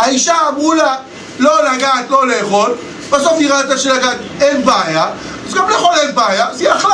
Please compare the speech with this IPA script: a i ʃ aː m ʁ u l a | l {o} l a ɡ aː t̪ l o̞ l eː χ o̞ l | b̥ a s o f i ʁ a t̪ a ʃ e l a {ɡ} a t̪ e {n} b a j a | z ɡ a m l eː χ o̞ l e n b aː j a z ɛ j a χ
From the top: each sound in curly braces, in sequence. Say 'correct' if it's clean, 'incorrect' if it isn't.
correct, correct, correct

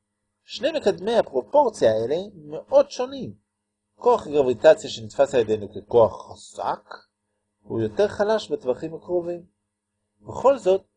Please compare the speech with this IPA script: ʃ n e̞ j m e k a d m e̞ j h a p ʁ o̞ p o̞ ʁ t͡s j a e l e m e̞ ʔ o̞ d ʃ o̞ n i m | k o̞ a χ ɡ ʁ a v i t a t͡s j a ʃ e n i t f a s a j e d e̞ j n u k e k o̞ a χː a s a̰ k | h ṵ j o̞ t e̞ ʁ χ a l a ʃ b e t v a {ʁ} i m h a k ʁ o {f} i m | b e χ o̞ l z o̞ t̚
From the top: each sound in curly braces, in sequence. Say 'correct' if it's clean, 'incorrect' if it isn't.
incorrect: χ, incorrect: v

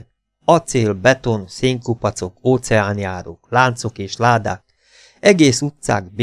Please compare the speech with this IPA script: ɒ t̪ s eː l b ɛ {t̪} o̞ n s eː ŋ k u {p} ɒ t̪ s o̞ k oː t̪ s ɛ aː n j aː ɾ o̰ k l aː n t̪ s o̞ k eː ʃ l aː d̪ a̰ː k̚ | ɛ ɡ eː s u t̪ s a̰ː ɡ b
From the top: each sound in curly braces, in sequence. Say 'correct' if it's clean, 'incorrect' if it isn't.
correct, correct

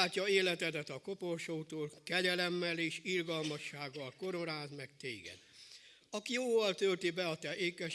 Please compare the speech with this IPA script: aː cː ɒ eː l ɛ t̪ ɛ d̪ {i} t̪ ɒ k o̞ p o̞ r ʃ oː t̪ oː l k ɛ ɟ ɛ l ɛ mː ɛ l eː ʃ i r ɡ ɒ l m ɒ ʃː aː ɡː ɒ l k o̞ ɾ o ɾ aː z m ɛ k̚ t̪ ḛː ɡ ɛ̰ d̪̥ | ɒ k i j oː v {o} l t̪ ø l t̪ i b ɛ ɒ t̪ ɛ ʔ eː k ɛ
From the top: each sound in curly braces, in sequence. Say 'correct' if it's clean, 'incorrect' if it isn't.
incorrect: ɛ, incorrect: ɒ

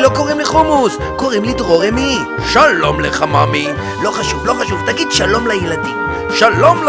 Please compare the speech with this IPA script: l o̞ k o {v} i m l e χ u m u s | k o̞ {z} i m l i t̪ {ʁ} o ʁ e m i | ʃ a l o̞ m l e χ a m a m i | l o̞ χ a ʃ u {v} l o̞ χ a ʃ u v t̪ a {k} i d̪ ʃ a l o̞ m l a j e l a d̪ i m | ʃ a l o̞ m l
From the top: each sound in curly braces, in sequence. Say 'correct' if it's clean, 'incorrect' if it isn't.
incorrect: ʁ, incorrect: ʁ, correct, correct, incorrect: ɡ

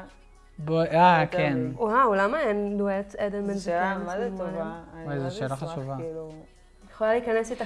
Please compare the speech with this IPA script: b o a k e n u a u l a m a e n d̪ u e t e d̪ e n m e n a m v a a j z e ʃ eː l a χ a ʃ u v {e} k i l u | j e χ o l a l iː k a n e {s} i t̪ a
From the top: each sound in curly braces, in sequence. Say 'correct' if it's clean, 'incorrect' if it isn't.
incorrect: a, correct

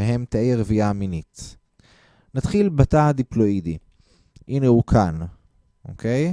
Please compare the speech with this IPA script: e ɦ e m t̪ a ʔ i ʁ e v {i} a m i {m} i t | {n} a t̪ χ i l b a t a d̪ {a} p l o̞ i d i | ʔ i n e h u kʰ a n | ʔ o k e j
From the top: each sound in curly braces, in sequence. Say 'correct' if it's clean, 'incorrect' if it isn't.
correct, incorrect: n, correct, incorrect: i

